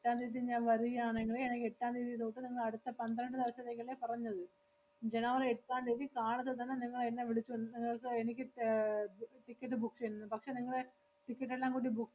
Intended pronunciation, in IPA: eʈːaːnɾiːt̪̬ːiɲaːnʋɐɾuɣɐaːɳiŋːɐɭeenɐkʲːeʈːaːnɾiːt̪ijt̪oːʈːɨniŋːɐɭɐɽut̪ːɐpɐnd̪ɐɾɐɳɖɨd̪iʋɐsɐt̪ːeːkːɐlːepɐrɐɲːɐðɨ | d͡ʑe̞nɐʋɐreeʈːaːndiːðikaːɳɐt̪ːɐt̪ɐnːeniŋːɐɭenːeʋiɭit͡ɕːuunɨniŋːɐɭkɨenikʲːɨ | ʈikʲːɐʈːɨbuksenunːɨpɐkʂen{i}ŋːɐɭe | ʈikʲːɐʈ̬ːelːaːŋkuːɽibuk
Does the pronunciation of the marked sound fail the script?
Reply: no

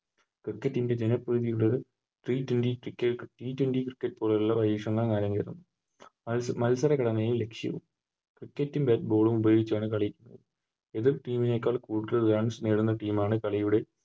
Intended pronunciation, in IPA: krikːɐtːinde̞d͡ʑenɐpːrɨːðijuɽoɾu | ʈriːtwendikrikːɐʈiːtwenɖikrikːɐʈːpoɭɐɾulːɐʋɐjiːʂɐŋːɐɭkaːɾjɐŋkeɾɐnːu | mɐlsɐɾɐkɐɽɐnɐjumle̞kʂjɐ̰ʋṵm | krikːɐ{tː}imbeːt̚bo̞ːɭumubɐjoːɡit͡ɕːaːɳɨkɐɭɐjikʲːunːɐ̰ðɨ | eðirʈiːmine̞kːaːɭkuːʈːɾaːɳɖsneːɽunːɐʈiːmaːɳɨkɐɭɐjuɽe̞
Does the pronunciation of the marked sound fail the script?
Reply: no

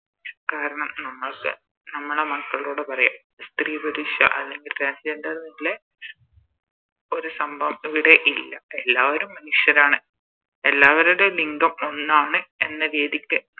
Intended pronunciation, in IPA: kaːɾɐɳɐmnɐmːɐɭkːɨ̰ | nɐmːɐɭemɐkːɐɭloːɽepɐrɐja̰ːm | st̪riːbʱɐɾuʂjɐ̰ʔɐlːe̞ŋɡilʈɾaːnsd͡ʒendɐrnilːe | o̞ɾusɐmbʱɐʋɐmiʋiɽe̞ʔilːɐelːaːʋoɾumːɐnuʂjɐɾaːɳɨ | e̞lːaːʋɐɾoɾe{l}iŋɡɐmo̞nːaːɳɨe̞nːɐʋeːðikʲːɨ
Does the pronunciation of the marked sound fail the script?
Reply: no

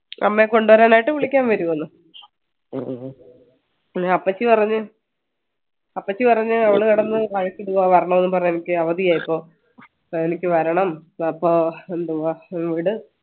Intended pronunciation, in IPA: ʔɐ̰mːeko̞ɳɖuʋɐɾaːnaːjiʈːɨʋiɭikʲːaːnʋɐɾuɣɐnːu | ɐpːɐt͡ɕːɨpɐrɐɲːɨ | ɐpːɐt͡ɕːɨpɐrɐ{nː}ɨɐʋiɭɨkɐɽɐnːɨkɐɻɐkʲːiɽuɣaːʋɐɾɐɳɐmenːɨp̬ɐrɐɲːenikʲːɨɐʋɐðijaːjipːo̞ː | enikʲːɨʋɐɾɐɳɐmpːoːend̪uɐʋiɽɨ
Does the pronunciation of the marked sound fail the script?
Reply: yes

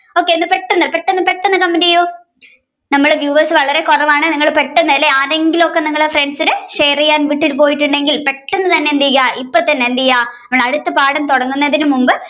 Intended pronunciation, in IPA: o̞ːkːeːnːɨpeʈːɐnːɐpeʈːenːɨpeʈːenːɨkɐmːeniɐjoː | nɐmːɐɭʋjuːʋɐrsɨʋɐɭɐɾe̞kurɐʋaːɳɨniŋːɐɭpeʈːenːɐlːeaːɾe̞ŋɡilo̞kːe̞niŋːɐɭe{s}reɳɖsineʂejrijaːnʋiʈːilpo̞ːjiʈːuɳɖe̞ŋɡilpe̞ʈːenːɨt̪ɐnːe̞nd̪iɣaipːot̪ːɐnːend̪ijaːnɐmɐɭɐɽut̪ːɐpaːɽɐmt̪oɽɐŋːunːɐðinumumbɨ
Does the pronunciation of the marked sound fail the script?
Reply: yes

